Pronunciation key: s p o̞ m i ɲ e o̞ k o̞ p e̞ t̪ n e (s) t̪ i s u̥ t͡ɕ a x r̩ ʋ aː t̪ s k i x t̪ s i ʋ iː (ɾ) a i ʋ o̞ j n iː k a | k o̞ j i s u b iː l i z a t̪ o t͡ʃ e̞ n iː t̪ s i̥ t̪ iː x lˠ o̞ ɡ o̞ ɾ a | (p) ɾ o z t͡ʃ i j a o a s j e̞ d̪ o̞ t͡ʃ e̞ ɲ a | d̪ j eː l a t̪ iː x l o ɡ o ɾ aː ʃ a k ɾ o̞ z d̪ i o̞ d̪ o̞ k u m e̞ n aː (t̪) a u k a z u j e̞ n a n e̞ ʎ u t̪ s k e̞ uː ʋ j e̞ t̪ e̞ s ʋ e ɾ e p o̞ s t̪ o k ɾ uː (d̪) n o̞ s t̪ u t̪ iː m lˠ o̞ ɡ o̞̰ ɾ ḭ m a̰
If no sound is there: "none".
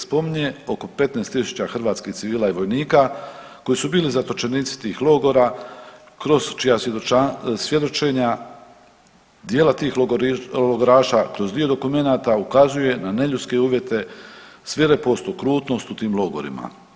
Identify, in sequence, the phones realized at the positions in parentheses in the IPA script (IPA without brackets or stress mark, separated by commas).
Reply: s, l, k, t̪, t̪